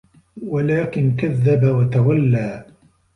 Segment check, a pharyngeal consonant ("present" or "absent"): absent